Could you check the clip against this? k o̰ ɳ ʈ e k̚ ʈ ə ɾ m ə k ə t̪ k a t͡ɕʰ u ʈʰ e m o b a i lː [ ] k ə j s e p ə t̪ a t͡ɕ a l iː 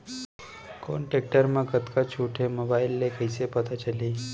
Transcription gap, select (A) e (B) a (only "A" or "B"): A